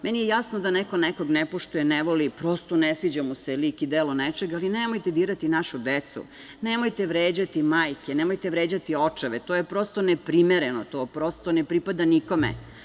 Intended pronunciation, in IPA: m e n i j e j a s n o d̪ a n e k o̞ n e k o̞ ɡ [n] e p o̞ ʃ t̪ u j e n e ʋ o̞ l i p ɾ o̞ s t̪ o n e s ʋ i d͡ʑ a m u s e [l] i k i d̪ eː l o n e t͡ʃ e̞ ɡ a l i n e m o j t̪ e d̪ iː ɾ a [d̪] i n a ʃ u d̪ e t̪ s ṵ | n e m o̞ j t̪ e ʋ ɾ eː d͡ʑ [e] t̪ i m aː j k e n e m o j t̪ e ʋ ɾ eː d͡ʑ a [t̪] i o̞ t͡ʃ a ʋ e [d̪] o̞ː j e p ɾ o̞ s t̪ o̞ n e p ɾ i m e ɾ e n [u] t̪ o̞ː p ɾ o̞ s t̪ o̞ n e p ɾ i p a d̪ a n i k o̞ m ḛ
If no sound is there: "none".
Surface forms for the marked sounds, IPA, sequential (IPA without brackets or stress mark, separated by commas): n, l, t̪, a, t̪, t̪, o